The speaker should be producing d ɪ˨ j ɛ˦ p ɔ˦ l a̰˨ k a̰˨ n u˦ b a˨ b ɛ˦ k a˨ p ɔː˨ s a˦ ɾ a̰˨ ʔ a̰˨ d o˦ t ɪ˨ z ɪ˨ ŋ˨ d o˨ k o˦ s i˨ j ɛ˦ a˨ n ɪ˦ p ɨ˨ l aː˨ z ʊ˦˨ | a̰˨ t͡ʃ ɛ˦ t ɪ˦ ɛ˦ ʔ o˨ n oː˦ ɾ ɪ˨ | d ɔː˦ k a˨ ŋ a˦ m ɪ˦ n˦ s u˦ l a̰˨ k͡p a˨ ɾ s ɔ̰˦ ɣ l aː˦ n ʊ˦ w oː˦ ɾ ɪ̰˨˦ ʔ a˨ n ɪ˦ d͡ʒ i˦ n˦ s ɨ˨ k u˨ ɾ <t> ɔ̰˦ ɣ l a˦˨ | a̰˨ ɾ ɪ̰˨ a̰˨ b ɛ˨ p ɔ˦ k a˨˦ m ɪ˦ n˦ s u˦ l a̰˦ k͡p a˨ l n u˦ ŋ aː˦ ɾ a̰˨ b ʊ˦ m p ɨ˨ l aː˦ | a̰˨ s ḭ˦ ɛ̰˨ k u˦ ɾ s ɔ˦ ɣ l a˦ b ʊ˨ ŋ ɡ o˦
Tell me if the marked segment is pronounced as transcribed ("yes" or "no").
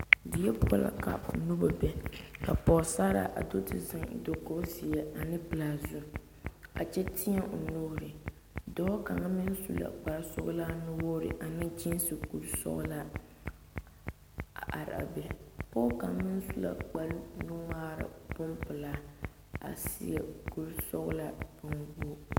no